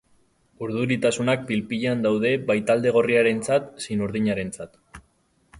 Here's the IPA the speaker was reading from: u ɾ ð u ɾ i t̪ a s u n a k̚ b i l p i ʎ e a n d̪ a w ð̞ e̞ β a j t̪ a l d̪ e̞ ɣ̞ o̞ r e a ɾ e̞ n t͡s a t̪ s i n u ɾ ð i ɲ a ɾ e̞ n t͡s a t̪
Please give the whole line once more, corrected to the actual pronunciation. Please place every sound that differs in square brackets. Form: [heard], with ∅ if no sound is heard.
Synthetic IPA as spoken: u ɾ ð u ɾ i t̪ a s u n a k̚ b i l p i ʎ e a n d̪ a w ð̞ e̞ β a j t̪ a l d̪ e̞ ɣ̞ o̞ r [i] a ɾ e̞ n t͡s a t̪ s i n u ɾ ð i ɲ a ɾ e̞ n t͡s a t̪